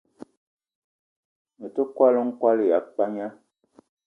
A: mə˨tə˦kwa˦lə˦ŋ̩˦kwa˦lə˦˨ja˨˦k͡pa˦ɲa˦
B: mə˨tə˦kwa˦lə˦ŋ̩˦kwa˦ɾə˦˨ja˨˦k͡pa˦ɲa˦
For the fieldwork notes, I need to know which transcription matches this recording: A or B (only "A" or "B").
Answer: A